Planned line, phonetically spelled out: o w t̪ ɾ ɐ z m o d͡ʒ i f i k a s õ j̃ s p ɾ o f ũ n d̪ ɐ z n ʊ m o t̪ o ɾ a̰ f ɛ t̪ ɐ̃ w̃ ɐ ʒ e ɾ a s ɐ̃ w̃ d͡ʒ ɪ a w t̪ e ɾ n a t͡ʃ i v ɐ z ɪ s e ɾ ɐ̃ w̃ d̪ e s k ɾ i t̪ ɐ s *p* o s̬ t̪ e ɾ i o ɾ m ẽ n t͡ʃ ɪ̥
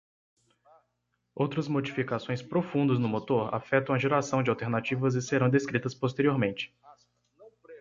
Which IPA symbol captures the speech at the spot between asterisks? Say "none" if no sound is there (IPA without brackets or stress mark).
p